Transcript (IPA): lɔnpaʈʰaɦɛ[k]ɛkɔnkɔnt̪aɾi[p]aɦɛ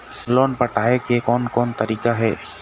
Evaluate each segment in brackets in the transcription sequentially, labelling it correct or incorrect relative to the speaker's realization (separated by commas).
correct, incorrect